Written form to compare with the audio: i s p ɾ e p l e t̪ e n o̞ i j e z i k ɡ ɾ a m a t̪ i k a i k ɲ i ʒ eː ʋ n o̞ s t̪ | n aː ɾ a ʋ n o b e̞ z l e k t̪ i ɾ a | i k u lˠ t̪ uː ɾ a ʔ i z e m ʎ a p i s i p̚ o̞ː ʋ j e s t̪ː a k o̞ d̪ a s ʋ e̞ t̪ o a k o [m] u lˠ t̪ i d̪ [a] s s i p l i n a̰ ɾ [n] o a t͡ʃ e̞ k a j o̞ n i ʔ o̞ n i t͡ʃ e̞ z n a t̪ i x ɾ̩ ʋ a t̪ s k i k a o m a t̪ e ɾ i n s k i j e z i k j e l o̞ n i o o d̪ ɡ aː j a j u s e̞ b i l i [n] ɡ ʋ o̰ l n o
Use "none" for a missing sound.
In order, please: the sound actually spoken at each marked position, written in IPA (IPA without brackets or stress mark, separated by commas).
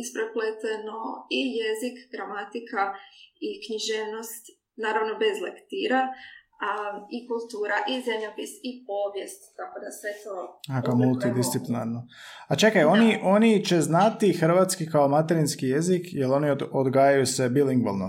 m, i, n, ŋ